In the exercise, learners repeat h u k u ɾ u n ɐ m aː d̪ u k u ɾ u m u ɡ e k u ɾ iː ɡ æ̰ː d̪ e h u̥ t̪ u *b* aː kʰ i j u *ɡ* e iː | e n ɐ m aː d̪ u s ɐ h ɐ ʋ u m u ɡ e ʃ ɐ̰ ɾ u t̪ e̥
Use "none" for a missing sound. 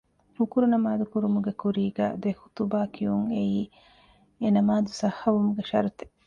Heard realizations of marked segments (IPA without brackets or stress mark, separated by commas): b, ŋ